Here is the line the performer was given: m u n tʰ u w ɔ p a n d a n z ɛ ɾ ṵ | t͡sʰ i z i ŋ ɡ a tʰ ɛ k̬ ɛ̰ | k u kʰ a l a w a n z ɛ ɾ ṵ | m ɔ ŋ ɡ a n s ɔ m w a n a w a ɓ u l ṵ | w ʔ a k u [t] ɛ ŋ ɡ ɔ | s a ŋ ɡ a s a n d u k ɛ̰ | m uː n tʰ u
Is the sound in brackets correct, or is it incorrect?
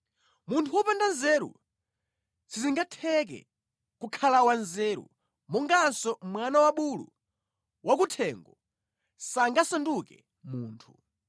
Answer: incorrect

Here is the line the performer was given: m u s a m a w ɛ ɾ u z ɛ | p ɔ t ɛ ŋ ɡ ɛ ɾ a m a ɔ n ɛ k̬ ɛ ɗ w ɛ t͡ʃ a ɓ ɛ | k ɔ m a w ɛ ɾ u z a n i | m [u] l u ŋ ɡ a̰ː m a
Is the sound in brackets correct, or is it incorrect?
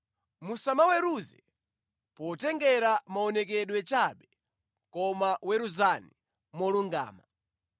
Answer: incorrect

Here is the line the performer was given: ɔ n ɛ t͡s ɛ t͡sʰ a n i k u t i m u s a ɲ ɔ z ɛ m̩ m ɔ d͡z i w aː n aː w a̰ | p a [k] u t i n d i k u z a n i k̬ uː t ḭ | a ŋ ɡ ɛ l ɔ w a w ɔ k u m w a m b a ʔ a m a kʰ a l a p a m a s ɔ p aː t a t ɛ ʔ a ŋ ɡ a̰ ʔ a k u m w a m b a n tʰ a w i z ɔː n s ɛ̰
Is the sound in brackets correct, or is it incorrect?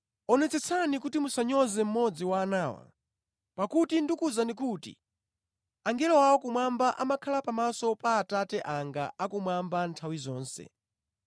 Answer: correct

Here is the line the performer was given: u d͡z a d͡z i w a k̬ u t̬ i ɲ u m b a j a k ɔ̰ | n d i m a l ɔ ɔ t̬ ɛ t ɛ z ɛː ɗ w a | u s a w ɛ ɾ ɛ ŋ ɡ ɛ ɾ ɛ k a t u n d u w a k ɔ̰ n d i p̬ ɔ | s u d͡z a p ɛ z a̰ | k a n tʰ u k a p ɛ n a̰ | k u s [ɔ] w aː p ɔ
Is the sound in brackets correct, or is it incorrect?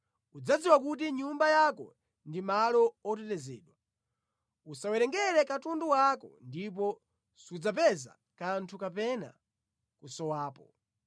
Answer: correct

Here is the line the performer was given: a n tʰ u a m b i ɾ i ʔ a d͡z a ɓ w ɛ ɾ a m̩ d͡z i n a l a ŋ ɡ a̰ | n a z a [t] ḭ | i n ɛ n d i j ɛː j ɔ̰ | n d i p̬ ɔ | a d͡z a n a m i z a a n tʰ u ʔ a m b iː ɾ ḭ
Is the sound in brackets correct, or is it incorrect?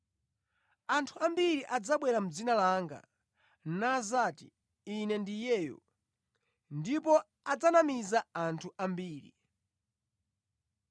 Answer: correct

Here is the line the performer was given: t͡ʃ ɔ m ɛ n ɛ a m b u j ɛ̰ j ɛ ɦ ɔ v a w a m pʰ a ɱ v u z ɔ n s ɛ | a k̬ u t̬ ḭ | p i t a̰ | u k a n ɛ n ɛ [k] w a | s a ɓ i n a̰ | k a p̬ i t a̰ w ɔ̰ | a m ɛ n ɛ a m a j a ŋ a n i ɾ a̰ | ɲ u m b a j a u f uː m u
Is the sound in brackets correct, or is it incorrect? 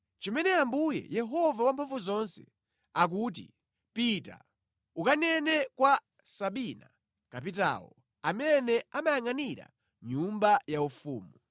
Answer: correct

